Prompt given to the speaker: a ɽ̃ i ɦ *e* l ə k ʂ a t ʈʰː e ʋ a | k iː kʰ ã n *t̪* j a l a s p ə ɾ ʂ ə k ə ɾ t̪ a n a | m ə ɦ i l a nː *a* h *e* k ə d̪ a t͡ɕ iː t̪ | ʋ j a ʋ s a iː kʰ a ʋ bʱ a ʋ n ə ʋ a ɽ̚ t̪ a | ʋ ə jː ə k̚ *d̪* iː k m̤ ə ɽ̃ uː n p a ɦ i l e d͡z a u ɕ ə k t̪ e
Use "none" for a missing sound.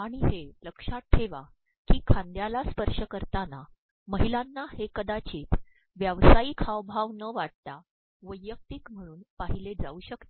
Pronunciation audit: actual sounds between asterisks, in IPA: e, d̪, a, e, t̪

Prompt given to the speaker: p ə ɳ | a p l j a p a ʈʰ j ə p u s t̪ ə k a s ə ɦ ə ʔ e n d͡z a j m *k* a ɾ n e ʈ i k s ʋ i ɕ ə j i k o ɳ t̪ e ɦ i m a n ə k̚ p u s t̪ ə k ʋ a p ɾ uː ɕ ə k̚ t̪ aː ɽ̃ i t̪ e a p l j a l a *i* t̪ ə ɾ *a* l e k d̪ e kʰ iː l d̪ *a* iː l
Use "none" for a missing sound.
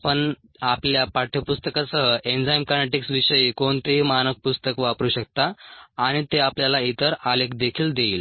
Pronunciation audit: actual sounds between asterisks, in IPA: k, i, a, e

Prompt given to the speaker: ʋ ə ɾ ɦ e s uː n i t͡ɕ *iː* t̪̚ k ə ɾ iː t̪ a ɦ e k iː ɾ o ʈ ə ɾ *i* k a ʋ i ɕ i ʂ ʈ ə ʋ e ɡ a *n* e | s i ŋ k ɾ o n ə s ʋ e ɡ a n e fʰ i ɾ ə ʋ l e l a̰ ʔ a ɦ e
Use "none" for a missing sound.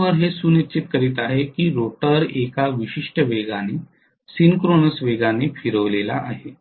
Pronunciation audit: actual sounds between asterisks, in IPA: i, e, n

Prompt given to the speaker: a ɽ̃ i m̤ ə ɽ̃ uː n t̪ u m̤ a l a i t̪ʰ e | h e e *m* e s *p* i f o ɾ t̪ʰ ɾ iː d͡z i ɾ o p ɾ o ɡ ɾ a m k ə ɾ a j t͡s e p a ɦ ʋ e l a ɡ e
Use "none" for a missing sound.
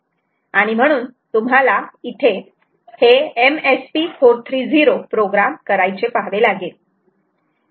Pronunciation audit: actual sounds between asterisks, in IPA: m, p

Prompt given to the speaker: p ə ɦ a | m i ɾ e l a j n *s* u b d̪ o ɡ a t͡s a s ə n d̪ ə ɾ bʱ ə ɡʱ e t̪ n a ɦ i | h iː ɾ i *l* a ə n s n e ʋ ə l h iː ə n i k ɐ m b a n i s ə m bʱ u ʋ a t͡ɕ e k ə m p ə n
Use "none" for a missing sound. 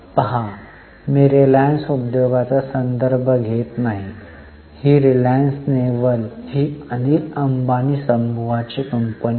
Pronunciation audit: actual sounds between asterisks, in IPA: s, l

